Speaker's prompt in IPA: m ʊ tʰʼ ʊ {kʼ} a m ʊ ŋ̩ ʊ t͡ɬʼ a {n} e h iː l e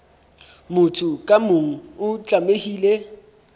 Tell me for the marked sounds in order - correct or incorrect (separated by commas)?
correct, incorrect